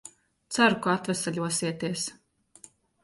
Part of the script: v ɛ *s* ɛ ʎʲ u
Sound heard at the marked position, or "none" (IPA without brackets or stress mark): s